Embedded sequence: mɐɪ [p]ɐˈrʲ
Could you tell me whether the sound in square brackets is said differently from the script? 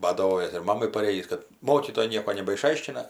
no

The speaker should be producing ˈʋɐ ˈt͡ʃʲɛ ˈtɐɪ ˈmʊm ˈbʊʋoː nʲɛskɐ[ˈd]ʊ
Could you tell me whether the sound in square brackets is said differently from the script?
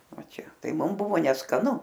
yes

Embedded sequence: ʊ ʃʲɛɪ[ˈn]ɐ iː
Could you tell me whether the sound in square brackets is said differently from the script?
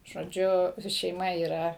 yes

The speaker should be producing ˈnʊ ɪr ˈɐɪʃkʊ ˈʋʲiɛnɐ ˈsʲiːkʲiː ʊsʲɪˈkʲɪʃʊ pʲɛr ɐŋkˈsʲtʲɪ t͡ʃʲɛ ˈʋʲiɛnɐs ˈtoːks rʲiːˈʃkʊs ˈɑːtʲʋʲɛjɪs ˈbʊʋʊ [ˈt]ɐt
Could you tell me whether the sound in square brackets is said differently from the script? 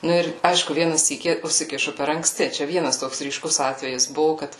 yes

